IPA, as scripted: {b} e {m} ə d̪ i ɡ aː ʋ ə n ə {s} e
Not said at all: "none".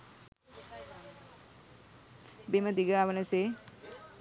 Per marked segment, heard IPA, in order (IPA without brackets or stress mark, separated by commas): b, m, s